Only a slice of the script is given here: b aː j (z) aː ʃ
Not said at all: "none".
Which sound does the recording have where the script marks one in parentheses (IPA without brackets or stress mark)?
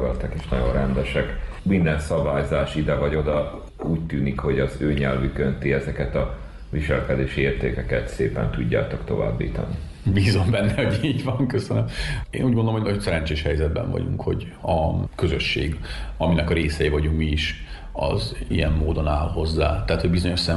z